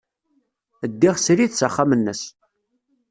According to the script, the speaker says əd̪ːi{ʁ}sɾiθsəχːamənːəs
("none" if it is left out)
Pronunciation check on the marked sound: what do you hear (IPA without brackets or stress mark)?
ʁ